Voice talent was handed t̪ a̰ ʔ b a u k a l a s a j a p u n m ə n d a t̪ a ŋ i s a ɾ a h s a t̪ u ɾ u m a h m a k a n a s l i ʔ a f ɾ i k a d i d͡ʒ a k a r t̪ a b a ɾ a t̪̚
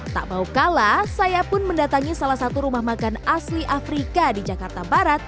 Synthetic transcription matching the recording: t̪ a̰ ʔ b a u k a l a s a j a p ʊ n m ə n d a t̪ a ŋ i s a l a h s a t̪ u ɾ u m a h m a k a n a s l i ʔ a f ɾ i k a d i d͡ʒ a k a r t̪ a b a ɾ a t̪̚